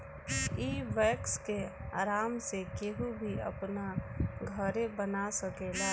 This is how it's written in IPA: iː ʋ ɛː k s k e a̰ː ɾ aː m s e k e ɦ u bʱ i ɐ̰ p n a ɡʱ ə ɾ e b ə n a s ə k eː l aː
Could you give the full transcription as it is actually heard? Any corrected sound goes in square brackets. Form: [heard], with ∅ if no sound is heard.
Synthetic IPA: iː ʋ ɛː k s k e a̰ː ɾ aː m s e k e ɦ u bʱ i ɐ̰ p n a ɡʱ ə ɾ e b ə n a s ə k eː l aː